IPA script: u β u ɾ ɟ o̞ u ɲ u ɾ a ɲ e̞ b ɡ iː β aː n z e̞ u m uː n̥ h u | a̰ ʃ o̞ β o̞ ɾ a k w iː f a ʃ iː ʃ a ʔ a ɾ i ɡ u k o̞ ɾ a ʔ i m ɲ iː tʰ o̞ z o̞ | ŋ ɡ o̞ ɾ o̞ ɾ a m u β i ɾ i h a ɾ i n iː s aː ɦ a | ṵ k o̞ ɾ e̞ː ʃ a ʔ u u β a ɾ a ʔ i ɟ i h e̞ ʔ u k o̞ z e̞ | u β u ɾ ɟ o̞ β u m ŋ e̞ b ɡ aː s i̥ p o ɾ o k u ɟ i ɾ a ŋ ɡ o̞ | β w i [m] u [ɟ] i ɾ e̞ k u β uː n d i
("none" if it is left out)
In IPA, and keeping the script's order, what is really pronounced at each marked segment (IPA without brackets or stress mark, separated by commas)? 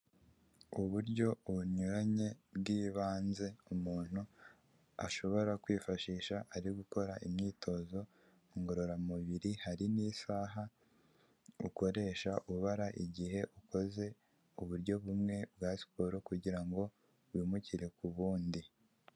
m, c